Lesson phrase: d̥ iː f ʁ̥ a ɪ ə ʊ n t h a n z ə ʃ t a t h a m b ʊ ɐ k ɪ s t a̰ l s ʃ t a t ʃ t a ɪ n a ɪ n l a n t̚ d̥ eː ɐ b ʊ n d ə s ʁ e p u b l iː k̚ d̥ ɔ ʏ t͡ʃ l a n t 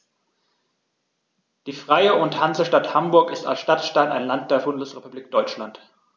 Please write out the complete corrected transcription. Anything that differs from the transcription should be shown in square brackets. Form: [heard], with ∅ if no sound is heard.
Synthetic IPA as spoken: d̥ iː f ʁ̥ a ɪ ə ʊ n t h a n z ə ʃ t a t h a m b ʊ ɐ k ɪ s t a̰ l s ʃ t a t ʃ t a ɪ n a ɪ n l a n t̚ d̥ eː ɐ b ʊ n d ə s ʁ e p u b l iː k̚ d̥ ɔ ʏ t͡ʃ l a n t